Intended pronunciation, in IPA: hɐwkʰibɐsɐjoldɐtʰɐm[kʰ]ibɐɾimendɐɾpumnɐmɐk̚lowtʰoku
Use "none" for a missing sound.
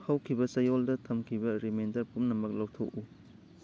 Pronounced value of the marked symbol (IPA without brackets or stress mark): kʰ